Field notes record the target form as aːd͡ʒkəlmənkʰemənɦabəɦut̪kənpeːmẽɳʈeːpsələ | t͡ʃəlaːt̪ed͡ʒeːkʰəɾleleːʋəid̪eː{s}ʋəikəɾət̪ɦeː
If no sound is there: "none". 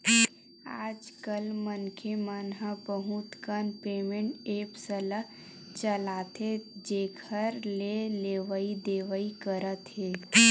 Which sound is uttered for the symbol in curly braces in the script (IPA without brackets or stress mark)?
none